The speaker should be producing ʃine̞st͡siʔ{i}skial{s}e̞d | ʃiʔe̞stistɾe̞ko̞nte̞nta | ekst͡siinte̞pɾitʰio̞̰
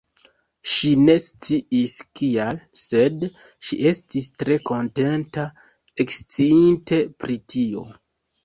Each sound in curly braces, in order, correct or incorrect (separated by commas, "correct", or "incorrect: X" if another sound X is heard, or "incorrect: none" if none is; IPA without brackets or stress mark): correct, correct